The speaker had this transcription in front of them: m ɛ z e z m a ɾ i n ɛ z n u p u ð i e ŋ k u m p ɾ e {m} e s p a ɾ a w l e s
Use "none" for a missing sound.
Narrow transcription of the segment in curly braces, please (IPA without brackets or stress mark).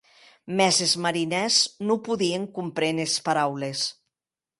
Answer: n